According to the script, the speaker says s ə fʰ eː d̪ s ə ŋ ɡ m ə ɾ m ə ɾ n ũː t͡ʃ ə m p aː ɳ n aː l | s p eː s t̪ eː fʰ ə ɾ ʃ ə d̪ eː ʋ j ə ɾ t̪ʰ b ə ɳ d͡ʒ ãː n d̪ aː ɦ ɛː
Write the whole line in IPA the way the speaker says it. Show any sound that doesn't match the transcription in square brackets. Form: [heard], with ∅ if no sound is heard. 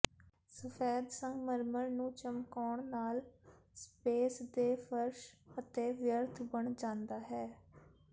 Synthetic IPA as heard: s ə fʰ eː d̪ s ə ŋ ɡ m ə ɾ m ə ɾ n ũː t͡ʃ ə m [k] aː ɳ n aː l | s p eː s [d̪] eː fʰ ə ɾ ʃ ə [t̪] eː ʋ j ə ɾ t̪ʰ b ə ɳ d͡ʒ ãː n d̪ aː ɦ ɛː